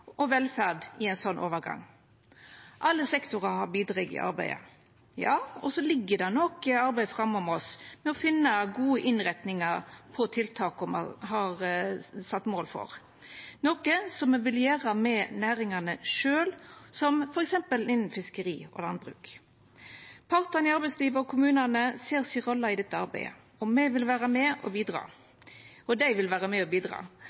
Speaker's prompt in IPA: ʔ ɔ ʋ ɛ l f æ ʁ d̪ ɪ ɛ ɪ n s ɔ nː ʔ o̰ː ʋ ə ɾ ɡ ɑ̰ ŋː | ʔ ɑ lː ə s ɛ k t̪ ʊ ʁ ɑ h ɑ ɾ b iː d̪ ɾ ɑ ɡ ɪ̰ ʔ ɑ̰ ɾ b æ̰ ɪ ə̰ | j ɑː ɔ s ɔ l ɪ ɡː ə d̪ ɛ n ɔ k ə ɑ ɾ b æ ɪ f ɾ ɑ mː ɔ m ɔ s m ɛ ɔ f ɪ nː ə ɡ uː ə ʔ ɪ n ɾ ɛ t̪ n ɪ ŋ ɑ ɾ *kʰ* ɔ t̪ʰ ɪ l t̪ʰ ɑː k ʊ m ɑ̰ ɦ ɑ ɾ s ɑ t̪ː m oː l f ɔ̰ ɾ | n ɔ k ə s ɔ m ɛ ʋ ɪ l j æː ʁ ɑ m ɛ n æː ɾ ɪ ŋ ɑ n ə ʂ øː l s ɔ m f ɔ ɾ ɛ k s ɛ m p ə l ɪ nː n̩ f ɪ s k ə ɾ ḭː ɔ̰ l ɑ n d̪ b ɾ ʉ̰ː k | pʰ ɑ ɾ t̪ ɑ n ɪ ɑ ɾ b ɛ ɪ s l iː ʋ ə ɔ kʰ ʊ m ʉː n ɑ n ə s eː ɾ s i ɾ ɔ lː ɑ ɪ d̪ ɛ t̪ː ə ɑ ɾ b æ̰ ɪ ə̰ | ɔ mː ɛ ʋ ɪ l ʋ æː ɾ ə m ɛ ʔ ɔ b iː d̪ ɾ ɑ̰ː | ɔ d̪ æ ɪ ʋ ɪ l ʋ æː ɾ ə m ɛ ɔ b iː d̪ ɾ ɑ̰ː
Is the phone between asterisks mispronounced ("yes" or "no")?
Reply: yes